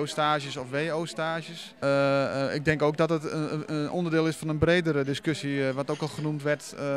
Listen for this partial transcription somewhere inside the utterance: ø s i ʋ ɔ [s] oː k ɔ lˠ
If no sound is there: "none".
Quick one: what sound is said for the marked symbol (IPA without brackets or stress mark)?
t